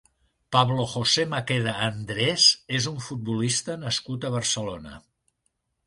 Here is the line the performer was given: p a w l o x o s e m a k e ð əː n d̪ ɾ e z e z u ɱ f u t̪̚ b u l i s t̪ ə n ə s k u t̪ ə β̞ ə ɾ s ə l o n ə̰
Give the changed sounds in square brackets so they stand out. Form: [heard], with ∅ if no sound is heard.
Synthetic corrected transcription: p a [β] l o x o s e m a k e ð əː n d̪ ɾ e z e z u ɱ f u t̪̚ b u l i s t̪ ə n ə s k u t̪ ə β̞ ə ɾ s ə l o n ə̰